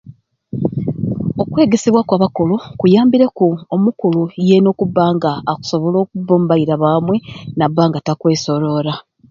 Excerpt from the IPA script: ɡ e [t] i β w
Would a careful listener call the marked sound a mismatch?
yes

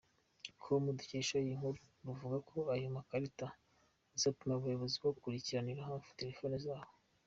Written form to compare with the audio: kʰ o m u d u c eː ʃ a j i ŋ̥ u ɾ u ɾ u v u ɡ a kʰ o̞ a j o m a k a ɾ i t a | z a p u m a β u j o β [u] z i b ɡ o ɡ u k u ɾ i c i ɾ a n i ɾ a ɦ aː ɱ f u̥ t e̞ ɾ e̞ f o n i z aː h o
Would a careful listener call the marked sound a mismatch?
yes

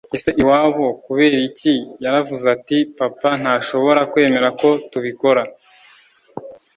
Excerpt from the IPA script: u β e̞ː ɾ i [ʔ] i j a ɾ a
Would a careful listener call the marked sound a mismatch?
yes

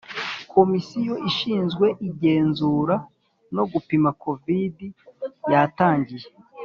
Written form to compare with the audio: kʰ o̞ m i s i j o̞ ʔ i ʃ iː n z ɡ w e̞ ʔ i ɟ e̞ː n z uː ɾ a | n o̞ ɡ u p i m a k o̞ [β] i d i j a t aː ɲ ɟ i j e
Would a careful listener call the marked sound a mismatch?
yes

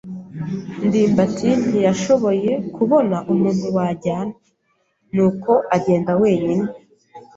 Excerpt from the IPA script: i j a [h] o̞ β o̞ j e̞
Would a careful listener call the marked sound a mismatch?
yes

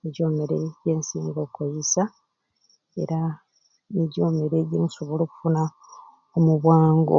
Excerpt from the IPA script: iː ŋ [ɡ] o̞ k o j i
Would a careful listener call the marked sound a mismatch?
no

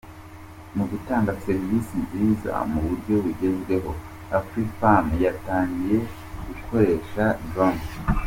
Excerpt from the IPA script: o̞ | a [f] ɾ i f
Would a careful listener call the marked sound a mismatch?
no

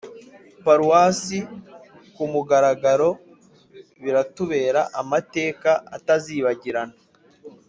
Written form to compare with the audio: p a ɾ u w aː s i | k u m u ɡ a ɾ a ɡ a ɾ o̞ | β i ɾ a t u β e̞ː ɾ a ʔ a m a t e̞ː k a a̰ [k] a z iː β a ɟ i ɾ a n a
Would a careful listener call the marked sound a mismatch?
yes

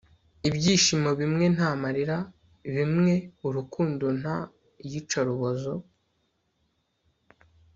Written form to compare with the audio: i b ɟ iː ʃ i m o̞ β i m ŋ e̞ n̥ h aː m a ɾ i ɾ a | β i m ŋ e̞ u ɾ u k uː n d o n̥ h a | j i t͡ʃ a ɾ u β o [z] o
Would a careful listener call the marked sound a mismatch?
no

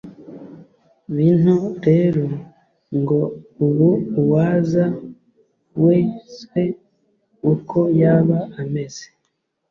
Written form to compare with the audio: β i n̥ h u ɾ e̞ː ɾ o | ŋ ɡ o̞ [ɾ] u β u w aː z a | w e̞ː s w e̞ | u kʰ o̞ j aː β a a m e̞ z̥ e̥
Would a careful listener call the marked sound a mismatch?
yes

